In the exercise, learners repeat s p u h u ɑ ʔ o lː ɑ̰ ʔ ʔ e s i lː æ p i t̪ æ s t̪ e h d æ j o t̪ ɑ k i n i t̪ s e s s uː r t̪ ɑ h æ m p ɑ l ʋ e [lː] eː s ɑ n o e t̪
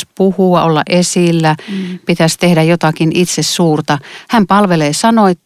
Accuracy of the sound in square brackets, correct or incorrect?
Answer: incorrect